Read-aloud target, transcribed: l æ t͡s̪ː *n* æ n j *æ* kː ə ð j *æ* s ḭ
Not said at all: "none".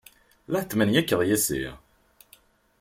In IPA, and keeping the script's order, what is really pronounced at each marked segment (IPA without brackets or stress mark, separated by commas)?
m, æ, æ